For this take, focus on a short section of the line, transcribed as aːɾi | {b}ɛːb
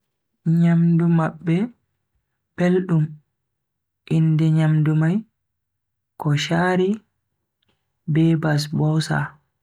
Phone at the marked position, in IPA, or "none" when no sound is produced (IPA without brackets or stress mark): b